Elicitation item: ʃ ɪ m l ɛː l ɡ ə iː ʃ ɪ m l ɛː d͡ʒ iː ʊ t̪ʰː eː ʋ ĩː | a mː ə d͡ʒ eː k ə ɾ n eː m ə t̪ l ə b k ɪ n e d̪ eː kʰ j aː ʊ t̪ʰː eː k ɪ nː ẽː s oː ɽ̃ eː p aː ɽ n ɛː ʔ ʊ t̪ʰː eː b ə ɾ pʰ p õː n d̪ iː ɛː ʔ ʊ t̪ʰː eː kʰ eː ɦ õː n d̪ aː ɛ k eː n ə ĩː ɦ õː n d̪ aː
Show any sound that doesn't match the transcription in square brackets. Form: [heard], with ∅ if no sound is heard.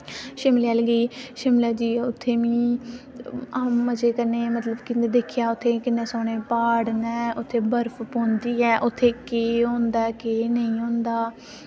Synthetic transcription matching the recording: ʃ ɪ m l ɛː l ɡ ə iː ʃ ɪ m l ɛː d͡ʒ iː ʊ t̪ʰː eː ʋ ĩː | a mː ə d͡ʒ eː k ə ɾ n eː m ə t̪ l ə b k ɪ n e d̪ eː kʰ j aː ʊ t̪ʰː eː k ɪ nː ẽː s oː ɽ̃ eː p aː ɽ n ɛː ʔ ʊ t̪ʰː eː b ə ɾ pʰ p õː n d̪ iː ɛː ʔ ʊ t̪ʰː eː [k] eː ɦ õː n d̪ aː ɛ k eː n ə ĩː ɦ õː n d̪ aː